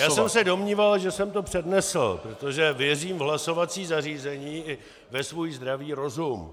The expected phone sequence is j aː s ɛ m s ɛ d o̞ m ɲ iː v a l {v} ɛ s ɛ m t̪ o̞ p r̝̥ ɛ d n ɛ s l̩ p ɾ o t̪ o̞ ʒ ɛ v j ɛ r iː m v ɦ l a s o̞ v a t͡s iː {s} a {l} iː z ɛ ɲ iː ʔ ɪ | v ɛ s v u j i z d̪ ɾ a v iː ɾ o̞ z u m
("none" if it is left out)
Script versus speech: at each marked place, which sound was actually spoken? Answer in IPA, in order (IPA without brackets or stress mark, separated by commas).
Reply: ʒ, z, r